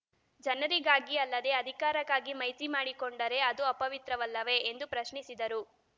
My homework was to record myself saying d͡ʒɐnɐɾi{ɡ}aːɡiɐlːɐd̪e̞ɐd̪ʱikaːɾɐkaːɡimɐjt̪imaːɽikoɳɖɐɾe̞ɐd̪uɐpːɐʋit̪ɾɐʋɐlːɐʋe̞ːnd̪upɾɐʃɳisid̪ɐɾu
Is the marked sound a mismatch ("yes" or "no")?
no